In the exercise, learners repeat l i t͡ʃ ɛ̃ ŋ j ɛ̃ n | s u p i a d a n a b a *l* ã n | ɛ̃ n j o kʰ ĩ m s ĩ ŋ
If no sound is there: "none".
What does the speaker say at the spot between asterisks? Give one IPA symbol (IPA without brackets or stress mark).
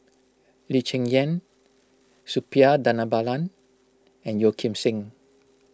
l